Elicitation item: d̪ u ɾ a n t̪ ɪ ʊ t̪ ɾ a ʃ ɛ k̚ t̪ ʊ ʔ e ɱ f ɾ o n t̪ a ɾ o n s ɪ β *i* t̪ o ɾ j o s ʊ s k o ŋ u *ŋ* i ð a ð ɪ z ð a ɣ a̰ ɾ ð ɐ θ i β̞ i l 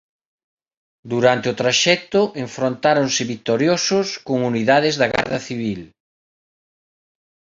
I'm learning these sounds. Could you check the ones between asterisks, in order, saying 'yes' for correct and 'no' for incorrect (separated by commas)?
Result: yes, no